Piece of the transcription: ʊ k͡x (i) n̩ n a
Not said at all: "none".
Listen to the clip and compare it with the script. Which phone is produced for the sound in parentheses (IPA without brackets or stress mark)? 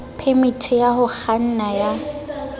a